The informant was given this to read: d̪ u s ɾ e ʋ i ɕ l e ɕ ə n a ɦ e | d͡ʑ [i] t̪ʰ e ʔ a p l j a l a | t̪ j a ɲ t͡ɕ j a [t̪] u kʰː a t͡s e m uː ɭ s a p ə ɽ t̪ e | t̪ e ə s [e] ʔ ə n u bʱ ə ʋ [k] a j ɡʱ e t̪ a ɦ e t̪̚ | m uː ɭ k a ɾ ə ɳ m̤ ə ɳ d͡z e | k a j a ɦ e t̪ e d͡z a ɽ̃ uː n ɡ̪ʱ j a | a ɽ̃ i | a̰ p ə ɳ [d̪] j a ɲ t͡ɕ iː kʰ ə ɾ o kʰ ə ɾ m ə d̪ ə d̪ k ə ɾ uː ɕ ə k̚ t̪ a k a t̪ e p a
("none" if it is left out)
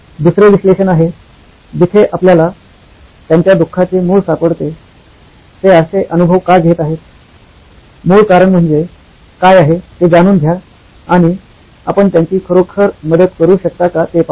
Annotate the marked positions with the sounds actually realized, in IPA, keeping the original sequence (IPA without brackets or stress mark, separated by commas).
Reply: i, d̪, e, k, t̪